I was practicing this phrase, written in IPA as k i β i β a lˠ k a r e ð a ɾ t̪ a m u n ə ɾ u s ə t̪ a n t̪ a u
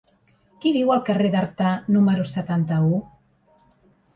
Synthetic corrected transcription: k i β i w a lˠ k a r e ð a ɾ t̪ a n u m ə ɾ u s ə t̪ a n t̪ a u